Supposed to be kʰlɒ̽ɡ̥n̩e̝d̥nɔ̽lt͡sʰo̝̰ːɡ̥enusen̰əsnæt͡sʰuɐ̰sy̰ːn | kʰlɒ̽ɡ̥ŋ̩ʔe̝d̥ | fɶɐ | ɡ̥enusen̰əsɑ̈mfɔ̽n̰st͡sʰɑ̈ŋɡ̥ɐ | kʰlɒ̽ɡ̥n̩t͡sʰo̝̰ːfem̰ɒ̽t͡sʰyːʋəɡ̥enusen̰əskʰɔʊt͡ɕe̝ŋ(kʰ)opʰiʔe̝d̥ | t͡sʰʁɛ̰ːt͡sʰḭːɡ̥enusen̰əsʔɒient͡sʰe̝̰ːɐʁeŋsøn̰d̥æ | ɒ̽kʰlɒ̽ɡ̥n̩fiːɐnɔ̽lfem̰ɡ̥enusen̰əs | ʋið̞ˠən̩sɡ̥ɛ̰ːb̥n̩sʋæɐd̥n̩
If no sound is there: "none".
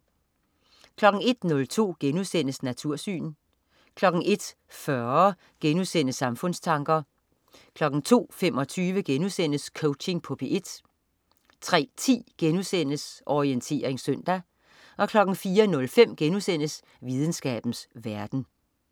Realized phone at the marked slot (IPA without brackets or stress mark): pʰ